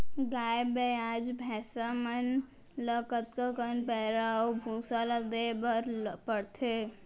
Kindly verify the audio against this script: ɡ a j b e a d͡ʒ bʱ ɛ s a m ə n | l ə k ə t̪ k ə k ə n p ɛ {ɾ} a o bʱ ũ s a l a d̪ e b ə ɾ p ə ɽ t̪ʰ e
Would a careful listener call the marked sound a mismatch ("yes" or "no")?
no